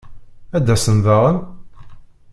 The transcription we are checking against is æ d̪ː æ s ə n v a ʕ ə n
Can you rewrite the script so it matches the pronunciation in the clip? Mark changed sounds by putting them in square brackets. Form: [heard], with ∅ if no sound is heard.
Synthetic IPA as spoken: æ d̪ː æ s ə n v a [ʁ] ə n